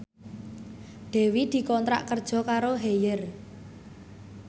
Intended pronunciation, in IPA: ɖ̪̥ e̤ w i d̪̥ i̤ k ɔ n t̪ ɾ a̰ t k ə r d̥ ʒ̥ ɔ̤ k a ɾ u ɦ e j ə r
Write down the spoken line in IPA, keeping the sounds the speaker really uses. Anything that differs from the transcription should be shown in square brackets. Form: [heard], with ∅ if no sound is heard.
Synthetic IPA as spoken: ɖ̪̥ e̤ w i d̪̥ i̤ k ɔ n t̪ ɾ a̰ [ʔ] k ə r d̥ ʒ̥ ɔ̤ k a ɾ [o] ɦ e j ə r